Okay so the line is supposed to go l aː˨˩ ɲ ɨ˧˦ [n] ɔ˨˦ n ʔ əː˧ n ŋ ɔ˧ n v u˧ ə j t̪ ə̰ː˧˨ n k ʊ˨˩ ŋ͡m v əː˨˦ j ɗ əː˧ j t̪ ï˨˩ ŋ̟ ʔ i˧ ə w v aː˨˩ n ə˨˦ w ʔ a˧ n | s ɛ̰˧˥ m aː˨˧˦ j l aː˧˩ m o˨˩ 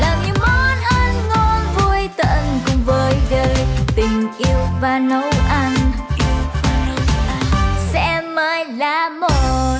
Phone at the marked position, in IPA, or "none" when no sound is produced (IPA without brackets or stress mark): m